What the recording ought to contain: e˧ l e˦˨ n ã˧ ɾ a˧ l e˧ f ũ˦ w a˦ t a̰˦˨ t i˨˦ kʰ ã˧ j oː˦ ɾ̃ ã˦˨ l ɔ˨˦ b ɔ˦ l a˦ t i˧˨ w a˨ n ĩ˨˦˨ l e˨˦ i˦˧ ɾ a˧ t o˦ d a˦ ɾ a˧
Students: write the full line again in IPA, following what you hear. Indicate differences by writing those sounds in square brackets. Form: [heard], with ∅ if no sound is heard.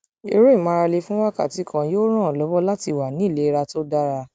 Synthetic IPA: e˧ [ɾ] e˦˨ [m] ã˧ ɾ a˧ l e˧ f ũ˦ w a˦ [k] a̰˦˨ t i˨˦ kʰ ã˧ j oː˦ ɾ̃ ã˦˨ l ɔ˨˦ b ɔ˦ l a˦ t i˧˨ w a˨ n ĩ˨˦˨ l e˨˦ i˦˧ ɾ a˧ t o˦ d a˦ ɾ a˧